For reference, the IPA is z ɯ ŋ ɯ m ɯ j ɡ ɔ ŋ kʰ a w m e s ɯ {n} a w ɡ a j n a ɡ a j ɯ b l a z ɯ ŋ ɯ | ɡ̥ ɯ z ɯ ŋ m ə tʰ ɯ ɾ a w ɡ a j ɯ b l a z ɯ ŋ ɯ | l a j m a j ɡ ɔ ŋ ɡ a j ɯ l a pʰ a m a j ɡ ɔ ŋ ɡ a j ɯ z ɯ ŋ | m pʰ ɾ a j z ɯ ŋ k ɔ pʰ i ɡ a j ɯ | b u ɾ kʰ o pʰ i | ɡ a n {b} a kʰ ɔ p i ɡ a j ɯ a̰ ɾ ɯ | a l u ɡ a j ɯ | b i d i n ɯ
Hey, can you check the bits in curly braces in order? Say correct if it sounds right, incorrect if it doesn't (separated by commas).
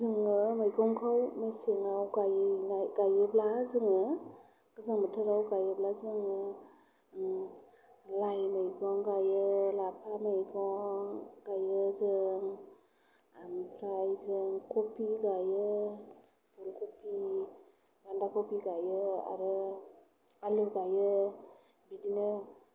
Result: incorrect, incorrect